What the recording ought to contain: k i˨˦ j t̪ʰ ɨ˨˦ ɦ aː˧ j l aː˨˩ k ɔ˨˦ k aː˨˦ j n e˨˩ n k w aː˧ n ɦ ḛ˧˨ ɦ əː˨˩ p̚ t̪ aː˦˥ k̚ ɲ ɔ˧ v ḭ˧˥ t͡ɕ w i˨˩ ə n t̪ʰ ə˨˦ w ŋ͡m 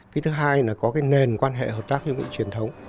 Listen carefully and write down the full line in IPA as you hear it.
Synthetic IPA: k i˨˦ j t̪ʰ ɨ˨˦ ɦ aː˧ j l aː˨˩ k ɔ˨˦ k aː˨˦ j n e˨˩ n k w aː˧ n ɦ ḛ˧˨ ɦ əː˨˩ p̚ t̪ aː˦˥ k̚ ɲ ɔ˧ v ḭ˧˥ t͡ɕ w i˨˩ ə n t̪ʰ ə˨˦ w ŋ͡m